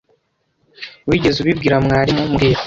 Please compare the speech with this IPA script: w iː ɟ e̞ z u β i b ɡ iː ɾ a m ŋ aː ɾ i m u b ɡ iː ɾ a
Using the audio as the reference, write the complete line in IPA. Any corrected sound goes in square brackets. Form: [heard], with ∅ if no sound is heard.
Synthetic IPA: w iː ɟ e̞ z u β i b ɡ iː ɾ a m ŋ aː ɾ i m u [m] ɡ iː ɾ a